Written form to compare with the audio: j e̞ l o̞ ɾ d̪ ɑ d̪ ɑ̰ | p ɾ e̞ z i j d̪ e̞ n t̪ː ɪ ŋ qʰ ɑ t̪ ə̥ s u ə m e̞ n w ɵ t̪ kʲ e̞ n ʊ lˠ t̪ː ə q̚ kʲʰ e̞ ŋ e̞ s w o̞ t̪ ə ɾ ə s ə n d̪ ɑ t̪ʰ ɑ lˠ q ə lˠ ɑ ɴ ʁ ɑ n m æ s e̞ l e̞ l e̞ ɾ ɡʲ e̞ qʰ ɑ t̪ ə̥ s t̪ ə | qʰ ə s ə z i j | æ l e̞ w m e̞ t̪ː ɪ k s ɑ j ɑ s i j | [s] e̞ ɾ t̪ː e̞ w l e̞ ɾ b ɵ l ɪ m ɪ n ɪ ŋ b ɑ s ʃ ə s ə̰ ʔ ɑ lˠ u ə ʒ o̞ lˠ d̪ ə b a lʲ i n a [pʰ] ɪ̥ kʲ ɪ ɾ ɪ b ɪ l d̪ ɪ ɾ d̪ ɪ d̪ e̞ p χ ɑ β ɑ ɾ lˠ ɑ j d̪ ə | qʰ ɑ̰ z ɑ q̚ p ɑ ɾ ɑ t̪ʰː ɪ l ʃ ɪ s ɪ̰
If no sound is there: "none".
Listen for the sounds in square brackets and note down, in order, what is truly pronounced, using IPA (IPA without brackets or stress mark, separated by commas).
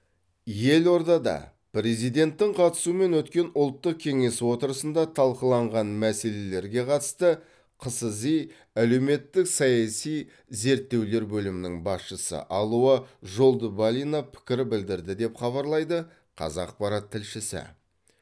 z, pʰ